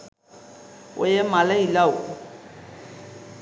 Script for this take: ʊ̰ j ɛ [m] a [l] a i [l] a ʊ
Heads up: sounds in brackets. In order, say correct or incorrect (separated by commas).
correct, correct, correct